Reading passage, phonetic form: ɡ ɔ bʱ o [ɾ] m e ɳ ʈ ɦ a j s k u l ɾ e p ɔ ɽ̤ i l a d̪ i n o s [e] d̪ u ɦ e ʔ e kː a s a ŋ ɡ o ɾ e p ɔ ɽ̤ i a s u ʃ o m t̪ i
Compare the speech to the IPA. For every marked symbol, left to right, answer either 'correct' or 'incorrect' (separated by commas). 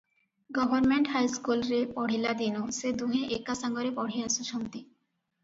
correct, correct